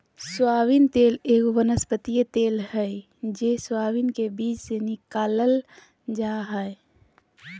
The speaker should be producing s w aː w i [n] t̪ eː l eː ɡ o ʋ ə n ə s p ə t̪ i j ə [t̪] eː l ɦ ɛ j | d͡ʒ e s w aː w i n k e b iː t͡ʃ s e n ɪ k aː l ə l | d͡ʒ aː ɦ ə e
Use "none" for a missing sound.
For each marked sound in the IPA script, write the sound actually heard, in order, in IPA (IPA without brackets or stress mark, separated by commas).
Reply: n, t̪